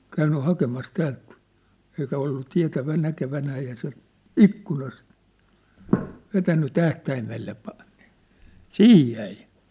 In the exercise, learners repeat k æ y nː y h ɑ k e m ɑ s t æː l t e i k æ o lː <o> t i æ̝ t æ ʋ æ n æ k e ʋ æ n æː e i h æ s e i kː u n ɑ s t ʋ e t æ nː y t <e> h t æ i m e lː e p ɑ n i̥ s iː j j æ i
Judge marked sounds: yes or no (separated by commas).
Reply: no, no